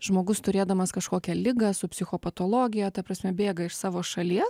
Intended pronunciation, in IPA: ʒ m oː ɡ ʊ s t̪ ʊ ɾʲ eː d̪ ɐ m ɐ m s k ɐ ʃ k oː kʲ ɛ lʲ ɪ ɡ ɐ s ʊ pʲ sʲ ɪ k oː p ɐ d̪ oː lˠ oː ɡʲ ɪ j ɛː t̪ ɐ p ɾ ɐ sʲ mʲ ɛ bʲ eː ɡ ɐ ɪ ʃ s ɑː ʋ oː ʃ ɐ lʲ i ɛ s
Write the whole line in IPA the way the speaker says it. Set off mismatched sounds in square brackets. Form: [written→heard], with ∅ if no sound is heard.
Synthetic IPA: ʒ m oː ɡ ʊ s t̪ ʊ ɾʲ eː d̪ ɐ m ɐ [m→∅] s k ɐ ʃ k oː kʲ ɛ lʲ ɪ ɡ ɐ s ʊ pʲ sʲ ɪ [k→x] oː p ɐ [d̪→t̪] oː lˠ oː ɡʲ ɪ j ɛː t̪ ɐ p ɾ ɐ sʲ mʲ ɛ bʲ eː ɡ ɐ ɪ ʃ s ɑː ʋ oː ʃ ɐ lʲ i ɛ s